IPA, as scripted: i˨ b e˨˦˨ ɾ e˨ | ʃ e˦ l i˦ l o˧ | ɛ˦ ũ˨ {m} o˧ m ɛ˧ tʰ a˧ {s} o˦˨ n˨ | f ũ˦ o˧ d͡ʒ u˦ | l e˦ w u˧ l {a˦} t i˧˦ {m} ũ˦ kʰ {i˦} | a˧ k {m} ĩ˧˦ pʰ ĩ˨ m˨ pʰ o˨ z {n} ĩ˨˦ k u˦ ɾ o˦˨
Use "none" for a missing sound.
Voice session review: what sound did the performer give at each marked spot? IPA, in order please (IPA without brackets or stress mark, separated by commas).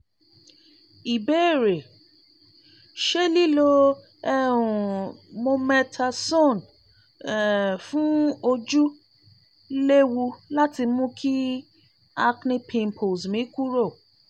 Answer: m, s, a˦, m, i˦, n, m